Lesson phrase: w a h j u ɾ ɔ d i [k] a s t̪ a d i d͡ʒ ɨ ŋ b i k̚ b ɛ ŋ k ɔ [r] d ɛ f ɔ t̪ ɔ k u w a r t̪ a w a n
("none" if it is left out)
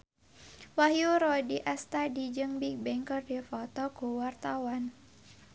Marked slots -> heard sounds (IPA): ʔ, r

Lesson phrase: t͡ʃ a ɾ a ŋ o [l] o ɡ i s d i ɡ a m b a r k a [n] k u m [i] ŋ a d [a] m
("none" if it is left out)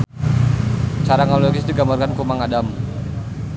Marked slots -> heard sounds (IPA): l, n, a, a

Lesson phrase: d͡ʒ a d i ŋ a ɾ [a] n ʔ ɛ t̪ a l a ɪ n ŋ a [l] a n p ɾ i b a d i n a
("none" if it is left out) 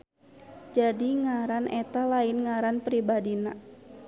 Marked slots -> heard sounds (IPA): a, ɾ

